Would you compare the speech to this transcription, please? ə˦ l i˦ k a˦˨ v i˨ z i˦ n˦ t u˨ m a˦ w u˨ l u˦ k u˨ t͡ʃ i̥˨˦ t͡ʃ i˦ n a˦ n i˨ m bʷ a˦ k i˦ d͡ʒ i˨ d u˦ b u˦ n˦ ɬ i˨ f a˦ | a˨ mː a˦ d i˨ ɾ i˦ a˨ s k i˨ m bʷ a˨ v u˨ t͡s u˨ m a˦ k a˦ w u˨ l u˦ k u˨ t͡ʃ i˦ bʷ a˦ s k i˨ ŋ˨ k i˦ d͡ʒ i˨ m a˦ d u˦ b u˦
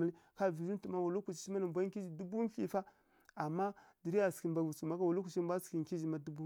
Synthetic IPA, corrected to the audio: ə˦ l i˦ k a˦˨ v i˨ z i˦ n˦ t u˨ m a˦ w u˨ l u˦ k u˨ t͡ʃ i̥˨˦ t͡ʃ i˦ m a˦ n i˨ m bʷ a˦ k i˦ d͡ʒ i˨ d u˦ b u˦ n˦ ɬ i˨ f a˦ | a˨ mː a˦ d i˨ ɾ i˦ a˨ s k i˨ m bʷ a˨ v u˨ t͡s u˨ m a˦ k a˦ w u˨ l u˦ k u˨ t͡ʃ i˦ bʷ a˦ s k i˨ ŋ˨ k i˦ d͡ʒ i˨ m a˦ d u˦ b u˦